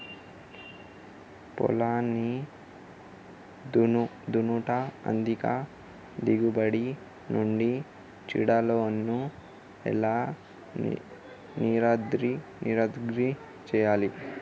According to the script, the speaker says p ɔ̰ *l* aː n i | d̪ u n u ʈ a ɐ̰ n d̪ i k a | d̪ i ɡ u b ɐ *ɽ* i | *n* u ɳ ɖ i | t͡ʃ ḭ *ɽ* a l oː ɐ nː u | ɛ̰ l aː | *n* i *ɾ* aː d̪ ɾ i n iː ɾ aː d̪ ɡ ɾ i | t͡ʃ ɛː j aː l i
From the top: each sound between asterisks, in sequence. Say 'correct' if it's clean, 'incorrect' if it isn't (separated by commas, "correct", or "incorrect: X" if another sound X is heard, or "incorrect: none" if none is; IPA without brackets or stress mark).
correct, correct, correct, correct, correct, correct